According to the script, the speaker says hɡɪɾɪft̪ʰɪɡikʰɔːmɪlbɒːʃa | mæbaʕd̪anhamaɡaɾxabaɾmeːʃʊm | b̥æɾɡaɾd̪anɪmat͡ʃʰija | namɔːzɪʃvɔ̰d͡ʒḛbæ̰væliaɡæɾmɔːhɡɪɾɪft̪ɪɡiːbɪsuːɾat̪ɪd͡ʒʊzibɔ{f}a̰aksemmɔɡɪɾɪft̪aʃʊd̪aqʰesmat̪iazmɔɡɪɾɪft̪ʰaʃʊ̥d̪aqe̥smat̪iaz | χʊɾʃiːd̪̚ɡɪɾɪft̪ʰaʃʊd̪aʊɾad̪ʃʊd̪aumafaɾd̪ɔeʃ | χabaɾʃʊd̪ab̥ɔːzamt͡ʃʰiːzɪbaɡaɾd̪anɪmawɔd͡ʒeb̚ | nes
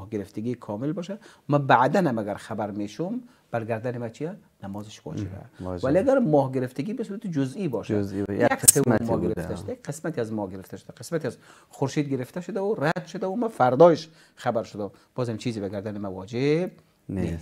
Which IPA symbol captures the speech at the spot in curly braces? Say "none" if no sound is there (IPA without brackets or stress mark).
ʃ